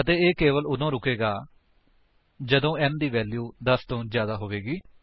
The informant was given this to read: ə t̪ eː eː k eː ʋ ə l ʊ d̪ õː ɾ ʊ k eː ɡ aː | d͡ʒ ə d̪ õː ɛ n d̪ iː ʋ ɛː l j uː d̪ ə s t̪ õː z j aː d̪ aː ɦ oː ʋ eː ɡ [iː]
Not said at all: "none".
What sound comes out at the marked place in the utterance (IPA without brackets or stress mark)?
iː